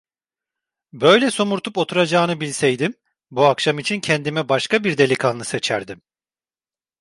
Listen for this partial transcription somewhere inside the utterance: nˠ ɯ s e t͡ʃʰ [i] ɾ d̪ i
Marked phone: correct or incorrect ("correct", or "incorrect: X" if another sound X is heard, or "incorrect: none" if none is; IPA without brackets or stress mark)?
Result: incorrect: æ